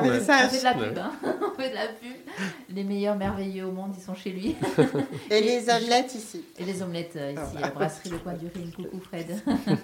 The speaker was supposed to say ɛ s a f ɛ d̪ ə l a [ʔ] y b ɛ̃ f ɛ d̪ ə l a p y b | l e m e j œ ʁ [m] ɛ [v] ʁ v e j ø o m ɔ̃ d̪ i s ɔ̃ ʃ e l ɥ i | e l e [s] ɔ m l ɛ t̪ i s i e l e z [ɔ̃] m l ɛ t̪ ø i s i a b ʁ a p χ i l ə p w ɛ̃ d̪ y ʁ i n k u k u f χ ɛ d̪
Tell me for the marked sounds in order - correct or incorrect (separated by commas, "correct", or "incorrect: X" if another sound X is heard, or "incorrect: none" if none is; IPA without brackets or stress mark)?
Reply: incorrect: p, correct, incorrect: none, incorrect: z, incorrect: ɔ